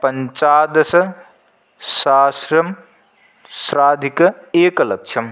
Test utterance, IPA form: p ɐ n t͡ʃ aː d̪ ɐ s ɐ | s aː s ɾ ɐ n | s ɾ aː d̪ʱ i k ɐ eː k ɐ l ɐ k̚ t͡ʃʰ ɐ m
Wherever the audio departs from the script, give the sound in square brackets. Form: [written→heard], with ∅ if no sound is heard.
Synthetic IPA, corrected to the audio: p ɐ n t͡ʃ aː d̪ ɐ s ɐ | s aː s ɾ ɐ [n→m] | s ɾ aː d̪ʱ i k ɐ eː k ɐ l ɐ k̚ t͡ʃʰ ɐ m

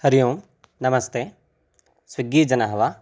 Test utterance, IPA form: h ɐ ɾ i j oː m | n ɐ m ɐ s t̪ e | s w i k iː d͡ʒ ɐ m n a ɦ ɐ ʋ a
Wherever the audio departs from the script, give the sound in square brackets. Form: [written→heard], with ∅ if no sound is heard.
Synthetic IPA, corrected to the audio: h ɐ ɾ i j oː m | n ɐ m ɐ s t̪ e | s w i [k→ɡ] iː d͡ʒ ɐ [m→∅] n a ɦ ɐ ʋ a

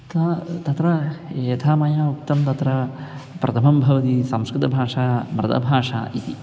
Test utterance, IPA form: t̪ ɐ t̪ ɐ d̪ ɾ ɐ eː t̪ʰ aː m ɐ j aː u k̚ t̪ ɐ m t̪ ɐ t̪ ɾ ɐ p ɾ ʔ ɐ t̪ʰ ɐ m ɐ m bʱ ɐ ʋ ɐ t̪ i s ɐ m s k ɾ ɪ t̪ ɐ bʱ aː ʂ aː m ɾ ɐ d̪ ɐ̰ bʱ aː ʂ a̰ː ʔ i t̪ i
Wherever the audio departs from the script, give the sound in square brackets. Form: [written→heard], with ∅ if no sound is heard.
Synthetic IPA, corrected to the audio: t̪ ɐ t̪ ɐ [d̪→t̪] ɾ ɐ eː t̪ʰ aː m ɐ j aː u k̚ t̪ ɐ m t̪ ɐ t̪ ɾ ɐ p ɾ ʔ ɐ t̪ʰ ɐ m ɐ m bʱ ɐ ʋ ɐ t̪ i s ɐ m s k ɾ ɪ t̪ ɐ bʱ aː ʂ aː m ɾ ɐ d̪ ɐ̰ bʱ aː ʂ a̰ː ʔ i t̪ i

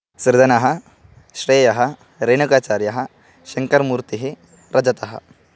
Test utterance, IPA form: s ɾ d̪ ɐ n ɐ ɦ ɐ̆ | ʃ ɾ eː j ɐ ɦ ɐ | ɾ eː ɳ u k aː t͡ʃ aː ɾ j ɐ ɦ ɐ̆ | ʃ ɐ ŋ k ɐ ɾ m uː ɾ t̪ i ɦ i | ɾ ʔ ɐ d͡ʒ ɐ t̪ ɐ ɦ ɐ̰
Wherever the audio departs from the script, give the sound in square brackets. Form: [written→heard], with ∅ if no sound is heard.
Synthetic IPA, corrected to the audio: s ɾ d̪ ɐ n ɐ ɦ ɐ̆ | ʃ ɾ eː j ɐ ɦ ɐ | ɾ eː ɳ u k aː t͡ʃ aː ɾ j ɐ ɦ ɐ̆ | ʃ ɐ ŋ k ɐ ɾ m uː ɾ t̪ i ɦ i | ɾ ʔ ɐ d͡ʒ ɐ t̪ ɐ ɦ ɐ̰

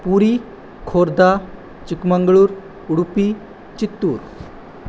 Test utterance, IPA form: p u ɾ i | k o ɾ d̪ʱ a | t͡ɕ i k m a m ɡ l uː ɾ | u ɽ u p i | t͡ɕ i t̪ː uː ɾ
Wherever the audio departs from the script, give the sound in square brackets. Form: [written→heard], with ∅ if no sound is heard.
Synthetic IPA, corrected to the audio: p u ɾ i | [k→kʰ] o ɾ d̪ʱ a | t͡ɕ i k m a [m→ŋ] ɡ [l→ɭ] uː ɾ | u ɽ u p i | t͡ɕ i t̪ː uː ɾ

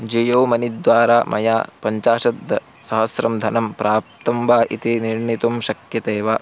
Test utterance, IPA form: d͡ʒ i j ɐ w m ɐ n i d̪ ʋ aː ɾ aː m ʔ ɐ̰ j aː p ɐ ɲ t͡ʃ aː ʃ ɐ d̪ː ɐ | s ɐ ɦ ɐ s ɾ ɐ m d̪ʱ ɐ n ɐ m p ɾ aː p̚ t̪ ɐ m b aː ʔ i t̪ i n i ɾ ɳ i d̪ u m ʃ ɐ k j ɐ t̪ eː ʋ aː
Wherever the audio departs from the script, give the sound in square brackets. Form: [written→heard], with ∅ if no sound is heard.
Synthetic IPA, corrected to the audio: d͡ʒ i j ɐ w m ɐ n i d̪ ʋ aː ɾ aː m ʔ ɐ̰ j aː p ɐ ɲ t͡ʃ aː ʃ ɐ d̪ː ɐ | s ɐ ɦ ɐ s ɾ ɐ m d̪ʱ ɐ n ɐ m p ɾ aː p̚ t̪ ɐ m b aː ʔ i t̪ i n i ɾ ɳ i [d̪→t̪] u m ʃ ɐ k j ɐ t̪ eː ʋ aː

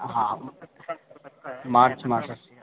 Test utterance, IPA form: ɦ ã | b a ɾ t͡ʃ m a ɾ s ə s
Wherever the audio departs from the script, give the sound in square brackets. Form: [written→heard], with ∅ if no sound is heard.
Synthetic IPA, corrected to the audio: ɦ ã | [b→m] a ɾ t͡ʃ m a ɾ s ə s

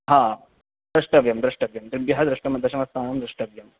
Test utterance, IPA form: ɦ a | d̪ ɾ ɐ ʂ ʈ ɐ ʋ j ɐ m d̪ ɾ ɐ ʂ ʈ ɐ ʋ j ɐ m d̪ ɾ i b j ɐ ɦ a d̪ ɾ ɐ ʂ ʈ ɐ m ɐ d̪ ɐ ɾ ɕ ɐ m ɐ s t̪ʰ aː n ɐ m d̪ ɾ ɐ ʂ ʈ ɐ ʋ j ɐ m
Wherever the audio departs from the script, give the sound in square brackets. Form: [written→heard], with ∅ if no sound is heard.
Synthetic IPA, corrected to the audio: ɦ a | d̪ ɾ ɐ ʂ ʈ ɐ ʋ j ɐ m d̪ ɾ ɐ ʂ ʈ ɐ ʋ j ɐ m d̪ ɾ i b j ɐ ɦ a d̪ ɾ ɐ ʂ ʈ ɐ m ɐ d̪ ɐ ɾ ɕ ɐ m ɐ s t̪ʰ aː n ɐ m d̪ ɾ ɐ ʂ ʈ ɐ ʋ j ɐ m

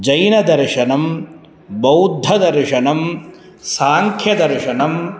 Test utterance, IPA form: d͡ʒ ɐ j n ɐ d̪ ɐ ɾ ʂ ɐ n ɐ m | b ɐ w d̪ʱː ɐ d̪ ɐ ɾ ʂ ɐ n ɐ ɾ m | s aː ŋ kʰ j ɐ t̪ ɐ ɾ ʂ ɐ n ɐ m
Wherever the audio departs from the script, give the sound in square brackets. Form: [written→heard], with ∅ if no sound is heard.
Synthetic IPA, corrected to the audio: d͡ʒ ɐ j n ɐ d̪ ɐ ɾ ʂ ɐ n ɐ m | b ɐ w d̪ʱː ɐ d̪ ɐ ɾ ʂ ɐ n ɐ [ɾ→∅] m | s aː ŋ kʰ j ɐ [t̪→d̪] ɐ ɾ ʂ ɐ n ɐ m

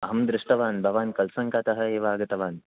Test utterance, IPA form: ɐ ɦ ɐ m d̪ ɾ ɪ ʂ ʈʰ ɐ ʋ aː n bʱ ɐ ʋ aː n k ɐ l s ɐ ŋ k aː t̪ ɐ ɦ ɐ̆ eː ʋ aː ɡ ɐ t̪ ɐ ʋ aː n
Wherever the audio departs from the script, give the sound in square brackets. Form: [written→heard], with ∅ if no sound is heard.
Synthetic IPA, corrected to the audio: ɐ ɦ ɐ m d̪ ɾ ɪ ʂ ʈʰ ɐ ʋ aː n bʱ ɐ ʋ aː n k ɐ l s ɐ ŋ k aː t̪ ɐ ɦ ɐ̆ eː ʋ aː ɡ ɐ t̪ ɐ ʋ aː n

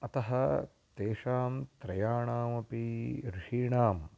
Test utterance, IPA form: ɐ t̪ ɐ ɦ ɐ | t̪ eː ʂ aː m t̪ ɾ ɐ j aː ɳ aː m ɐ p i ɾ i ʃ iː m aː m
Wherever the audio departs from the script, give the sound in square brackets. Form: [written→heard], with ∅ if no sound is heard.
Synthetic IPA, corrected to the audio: ɐ t̪ ɐ ɦ ɐ | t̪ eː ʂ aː m t̪ ɾ ɐ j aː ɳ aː m ɐ p i ɾ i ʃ iː [m→ɳ] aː m

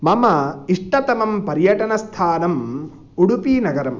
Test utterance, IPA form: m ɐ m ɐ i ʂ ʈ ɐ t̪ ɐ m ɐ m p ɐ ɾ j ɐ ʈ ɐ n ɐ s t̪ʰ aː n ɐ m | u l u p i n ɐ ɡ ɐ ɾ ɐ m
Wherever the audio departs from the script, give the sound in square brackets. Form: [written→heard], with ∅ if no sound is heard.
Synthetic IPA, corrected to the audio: m ɐ m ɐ i ʂ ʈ ɐ t̪ ɐ m ɐ m p ɐ ɾ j ɐ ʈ ɐ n ɐ s t̪ʰ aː n ɐ m | u [l→ɽ] u p i n ɐ ɡ ɐ ɾ ɐ m

